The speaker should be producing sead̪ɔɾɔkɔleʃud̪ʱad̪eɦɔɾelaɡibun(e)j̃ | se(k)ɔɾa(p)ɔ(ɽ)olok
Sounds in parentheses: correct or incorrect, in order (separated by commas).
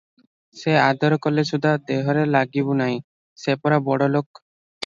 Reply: incorrect, incorrect, incorrect, correct